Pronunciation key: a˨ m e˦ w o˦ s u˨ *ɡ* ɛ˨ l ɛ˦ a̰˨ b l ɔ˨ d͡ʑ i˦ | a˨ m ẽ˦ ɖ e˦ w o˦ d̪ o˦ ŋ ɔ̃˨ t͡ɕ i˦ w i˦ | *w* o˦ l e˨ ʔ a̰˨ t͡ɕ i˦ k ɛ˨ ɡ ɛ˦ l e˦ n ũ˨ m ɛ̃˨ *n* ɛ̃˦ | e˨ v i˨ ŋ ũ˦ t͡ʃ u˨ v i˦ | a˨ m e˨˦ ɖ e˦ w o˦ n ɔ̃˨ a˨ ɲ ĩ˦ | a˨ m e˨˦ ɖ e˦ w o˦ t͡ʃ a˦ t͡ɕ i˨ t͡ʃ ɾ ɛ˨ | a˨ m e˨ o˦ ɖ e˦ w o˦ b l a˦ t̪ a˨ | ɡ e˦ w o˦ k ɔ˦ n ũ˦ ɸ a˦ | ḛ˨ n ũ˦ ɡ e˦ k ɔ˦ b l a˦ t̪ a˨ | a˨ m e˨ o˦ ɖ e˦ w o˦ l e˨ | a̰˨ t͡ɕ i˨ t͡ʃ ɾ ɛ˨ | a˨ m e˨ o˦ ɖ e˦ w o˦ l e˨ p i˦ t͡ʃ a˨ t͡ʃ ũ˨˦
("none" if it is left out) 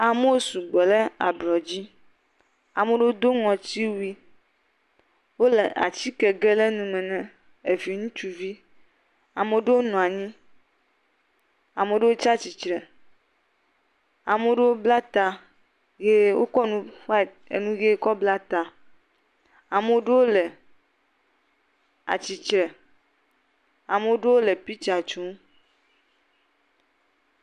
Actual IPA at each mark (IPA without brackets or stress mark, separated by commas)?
ɡ͡b, w, n